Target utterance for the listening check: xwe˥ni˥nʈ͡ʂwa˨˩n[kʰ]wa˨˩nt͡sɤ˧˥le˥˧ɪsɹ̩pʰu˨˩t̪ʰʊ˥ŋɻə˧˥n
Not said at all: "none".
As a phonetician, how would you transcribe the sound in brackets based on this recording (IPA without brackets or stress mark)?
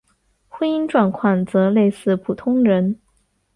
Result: kʰ